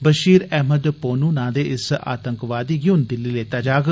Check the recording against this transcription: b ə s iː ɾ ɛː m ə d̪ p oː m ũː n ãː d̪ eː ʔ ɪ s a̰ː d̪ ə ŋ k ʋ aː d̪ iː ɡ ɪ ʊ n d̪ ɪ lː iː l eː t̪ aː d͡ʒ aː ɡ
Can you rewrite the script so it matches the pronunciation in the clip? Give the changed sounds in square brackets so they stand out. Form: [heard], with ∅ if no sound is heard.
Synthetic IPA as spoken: b ə [ʃ] iː ɾ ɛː m ə d̪ p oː [n] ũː n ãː d̪ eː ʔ ɪ s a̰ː [t̪] ə ŋ k ʋ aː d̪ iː ɡ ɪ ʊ n d̪ ɪ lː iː l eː t̪ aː d͡ʒ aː ɡ